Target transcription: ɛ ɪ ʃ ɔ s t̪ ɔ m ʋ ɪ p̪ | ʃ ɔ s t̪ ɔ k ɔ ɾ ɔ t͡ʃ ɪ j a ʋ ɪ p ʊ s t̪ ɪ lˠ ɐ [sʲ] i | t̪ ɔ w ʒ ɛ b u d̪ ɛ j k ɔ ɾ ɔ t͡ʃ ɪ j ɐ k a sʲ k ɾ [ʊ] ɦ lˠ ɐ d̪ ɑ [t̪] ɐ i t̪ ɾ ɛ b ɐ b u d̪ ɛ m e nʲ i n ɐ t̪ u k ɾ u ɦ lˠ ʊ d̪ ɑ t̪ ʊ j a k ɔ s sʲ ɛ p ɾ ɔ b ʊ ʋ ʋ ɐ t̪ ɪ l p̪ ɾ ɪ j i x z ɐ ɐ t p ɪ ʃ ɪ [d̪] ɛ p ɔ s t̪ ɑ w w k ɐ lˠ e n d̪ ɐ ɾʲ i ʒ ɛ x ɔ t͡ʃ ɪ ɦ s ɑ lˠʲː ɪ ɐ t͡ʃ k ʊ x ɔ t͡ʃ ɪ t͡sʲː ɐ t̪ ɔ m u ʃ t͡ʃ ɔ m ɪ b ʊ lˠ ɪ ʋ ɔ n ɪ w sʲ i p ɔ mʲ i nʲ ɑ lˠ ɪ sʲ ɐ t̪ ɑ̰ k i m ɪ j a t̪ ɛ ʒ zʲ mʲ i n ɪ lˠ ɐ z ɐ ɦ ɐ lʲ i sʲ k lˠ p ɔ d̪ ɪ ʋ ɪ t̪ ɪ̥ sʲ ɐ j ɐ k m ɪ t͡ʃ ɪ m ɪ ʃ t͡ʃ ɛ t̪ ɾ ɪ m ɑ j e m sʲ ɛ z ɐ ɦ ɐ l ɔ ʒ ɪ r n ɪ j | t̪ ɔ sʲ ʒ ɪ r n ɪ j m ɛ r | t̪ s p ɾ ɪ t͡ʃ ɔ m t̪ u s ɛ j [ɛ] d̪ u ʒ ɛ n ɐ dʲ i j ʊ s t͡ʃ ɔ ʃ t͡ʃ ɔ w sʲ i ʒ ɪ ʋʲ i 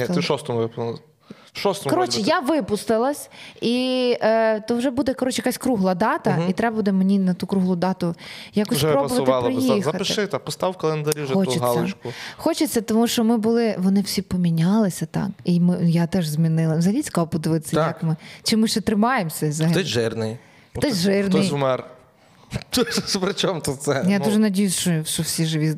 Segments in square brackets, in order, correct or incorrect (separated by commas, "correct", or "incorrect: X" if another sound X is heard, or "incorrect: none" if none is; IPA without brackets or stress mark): correct, incorrect: u, correct, incorrect: t̪, incorrect: a